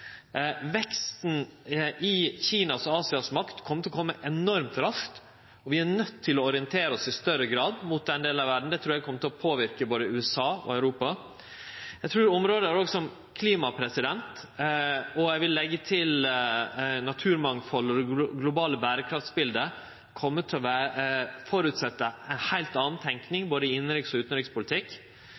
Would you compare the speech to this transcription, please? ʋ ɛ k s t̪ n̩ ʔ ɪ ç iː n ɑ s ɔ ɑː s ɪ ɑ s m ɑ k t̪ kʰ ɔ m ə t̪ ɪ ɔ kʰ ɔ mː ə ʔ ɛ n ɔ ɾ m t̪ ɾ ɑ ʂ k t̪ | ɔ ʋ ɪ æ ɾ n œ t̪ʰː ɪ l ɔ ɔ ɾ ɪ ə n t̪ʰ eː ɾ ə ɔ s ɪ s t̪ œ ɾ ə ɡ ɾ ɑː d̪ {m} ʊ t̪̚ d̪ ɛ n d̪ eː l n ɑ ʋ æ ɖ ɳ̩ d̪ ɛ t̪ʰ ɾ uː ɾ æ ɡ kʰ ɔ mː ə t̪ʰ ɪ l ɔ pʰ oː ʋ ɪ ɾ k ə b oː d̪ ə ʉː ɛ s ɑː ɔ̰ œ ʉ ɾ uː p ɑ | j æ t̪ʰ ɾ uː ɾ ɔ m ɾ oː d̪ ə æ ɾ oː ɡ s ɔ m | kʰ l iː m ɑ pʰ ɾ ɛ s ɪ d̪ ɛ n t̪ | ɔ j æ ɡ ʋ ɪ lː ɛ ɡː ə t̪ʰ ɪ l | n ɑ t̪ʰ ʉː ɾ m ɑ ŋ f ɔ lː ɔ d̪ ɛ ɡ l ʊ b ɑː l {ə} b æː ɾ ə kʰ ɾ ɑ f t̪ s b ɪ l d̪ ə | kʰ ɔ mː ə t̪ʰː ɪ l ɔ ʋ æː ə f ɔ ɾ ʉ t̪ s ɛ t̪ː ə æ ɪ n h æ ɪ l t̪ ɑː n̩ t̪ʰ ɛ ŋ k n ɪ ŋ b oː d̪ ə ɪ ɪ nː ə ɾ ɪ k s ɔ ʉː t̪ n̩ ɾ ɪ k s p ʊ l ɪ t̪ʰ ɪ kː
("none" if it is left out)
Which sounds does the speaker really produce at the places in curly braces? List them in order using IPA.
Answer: m, ə

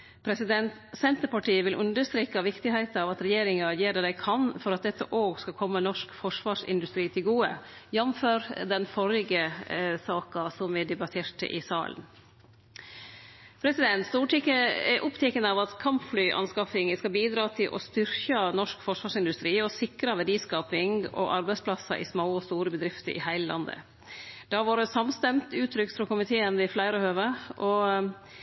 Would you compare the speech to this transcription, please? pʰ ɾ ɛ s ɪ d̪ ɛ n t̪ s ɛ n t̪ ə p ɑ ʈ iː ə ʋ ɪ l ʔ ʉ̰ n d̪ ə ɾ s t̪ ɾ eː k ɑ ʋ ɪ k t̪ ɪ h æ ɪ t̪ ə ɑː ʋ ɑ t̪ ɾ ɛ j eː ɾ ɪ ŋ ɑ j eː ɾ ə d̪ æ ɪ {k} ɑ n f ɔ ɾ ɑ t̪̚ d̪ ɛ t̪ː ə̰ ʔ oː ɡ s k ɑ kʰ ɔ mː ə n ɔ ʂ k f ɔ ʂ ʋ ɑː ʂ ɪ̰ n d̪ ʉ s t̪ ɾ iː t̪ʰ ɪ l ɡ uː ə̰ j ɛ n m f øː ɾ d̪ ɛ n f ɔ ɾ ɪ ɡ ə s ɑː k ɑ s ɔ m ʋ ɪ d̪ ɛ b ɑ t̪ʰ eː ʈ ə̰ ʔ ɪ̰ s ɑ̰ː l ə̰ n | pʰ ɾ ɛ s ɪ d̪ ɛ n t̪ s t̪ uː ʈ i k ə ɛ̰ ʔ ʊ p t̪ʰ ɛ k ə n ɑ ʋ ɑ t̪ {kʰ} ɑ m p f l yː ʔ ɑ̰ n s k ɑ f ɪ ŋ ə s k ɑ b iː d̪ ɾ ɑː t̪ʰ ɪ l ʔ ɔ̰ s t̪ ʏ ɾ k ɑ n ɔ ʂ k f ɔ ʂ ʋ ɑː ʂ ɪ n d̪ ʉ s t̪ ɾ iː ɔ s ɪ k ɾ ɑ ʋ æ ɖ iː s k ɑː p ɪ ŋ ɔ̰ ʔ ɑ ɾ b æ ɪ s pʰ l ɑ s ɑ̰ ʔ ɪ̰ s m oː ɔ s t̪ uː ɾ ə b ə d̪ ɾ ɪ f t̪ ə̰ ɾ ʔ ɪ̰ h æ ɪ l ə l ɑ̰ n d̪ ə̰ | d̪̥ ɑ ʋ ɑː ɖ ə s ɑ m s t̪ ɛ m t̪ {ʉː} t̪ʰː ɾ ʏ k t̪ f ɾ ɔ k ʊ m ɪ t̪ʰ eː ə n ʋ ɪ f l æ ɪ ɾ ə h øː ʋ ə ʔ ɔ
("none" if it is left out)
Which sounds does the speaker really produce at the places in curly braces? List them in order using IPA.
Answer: kʰ, kʰ, ʉː

